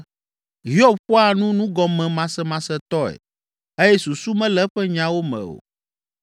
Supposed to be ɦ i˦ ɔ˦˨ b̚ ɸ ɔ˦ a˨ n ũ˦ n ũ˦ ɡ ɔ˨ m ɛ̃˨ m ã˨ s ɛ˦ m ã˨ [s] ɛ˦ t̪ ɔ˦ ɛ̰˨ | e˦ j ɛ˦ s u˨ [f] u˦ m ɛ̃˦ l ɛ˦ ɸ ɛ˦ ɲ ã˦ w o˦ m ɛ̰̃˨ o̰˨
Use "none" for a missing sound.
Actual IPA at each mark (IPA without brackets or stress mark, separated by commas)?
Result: s, s